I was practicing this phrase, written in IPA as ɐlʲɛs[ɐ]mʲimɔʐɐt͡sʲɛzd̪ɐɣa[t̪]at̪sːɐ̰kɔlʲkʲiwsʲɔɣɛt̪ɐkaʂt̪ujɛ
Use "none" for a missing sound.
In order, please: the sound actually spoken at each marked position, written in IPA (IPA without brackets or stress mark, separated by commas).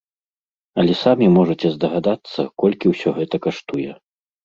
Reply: a, d̪